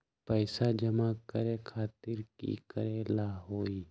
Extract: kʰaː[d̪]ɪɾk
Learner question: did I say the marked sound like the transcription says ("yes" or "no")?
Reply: no